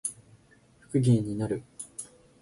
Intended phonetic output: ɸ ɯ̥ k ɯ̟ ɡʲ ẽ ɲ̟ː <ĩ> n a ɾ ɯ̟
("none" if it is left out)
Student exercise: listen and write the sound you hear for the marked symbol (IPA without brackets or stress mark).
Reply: i